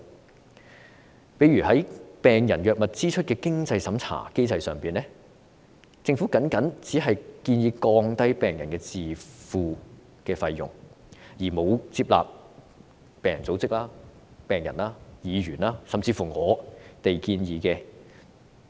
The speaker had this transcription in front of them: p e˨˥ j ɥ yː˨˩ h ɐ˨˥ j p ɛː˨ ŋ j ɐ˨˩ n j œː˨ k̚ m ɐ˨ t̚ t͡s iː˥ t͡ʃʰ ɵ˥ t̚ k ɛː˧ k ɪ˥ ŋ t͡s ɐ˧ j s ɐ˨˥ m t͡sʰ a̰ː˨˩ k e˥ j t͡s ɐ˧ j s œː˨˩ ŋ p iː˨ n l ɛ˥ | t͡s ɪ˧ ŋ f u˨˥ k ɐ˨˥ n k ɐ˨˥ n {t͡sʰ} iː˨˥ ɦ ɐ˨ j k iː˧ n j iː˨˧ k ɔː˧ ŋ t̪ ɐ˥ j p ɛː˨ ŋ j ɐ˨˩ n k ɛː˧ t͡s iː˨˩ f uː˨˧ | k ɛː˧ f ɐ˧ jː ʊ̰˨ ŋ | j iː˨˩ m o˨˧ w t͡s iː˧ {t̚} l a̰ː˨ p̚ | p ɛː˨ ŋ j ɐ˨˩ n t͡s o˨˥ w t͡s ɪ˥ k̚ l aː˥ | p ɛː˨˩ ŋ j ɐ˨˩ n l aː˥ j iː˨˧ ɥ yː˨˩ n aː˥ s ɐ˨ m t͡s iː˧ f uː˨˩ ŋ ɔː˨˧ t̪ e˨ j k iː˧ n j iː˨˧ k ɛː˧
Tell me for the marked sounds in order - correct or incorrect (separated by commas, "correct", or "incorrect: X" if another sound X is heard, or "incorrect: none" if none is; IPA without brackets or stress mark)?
incorrect: t͡s, incorrect: p̚